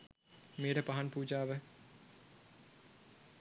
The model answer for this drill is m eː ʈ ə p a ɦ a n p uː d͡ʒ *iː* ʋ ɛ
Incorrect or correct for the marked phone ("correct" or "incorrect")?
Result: incorrect